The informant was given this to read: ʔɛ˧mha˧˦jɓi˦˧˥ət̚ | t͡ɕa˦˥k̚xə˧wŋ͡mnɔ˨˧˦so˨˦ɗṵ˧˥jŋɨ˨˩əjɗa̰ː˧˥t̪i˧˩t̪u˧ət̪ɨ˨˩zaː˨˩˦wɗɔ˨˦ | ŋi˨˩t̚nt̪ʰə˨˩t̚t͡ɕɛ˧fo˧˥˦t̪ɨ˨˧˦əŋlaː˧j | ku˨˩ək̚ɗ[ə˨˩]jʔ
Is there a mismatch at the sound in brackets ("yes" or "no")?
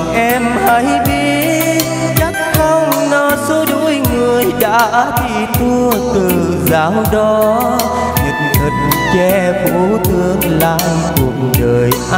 yes